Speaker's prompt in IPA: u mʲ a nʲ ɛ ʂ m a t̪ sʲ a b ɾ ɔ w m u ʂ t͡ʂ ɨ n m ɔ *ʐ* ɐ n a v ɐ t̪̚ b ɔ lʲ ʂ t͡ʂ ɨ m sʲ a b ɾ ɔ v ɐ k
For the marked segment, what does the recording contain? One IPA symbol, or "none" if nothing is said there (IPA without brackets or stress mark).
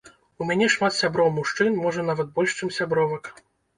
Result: ʐ